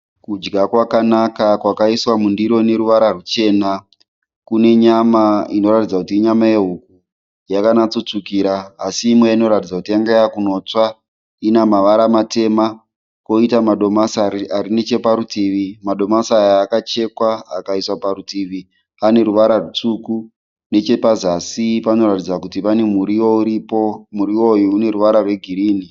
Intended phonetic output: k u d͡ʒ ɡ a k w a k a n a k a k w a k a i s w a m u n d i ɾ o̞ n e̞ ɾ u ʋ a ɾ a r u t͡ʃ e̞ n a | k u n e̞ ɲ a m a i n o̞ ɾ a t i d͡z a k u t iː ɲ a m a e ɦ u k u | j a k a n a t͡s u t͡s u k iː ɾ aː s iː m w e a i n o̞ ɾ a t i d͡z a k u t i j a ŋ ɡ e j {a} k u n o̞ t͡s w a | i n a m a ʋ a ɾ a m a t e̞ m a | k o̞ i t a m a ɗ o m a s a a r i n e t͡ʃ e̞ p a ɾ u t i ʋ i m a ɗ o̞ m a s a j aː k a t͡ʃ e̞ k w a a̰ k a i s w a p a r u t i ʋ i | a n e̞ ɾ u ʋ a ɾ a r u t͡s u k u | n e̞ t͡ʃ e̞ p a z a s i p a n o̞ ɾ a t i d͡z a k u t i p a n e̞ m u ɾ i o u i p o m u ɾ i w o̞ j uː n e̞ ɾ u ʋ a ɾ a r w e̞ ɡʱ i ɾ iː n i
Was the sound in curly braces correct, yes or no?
yes